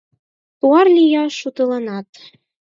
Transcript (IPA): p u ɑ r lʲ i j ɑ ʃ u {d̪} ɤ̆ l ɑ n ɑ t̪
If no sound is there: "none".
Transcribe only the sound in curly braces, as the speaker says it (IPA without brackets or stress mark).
t̪